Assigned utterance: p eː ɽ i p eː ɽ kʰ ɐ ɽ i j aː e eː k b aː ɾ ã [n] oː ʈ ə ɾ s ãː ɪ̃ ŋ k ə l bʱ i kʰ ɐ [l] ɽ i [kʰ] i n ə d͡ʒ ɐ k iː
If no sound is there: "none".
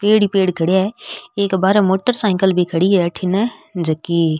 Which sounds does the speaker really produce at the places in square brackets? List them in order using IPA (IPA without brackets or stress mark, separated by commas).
m, none, ʈʰ